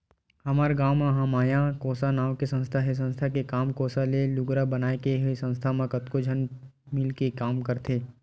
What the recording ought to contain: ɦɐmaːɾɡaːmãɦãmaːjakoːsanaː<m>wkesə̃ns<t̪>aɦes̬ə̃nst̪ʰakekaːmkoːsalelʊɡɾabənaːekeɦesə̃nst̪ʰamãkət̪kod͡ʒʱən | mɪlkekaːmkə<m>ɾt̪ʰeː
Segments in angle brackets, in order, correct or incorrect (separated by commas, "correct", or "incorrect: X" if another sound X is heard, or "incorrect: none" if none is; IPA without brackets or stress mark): incorrect: none, incorrect: t̪ʰ, incorrect: none